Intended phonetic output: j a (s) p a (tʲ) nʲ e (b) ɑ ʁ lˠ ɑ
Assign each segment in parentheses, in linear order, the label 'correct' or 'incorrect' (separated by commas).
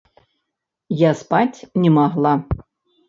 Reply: correct, correct, incorrect